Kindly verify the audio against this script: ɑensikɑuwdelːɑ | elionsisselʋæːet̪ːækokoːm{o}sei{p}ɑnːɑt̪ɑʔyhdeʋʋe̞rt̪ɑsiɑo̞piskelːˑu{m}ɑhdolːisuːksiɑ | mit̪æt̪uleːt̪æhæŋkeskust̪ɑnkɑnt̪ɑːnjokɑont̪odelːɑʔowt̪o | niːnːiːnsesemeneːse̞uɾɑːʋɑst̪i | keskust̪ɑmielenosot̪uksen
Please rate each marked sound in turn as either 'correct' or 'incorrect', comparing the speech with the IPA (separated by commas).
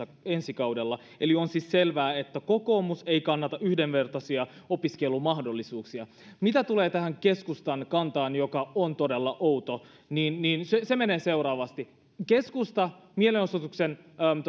incorrect, incorrect, correct